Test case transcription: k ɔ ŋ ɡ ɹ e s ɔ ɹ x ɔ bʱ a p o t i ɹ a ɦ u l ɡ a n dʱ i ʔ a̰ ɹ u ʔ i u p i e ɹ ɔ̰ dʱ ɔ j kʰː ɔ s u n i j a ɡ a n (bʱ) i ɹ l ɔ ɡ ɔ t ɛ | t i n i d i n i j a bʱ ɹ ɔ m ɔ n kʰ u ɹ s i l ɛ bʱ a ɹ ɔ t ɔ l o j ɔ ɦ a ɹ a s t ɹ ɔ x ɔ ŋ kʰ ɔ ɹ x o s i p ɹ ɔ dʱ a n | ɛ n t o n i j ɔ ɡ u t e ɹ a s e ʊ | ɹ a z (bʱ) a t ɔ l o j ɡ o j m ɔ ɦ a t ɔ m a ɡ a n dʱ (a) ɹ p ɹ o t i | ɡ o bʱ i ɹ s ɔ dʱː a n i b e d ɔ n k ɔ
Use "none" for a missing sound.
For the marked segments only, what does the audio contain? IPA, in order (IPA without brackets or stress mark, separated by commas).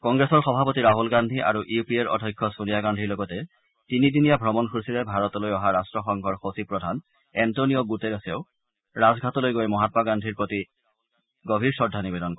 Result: dʱ, ɡʱ, i